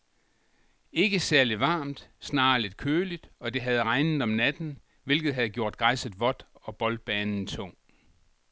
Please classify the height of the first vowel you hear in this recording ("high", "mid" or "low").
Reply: mid